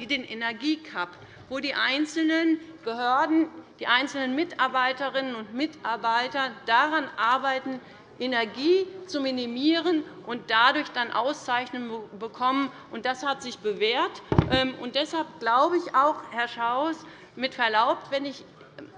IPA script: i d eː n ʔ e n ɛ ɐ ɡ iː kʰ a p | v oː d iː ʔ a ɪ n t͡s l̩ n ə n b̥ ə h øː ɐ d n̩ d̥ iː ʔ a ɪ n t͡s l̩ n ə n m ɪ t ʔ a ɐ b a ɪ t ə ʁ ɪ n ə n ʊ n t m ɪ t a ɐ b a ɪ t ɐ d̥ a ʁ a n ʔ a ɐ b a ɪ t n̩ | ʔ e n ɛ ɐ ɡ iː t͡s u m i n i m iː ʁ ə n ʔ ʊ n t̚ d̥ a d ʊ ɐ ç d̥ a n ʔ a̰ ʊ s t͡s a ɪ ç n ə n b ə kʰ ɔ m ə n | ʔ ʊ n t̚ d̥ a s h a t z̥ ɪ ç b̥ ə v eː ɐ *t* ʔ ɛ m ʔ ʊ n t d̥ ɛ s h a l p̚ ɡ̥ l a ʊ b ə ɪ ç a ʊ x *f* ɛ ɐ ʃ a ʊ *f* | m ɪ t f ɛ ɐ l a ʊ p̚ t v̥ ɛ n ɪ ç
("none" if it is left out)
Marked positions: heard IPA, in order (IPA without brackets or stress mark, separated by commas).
t, h, s